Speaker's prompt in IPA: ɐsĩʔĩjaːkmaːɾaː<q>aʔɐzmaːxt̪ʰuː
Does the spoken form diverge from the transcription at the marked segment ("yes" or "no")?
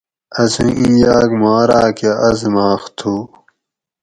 yes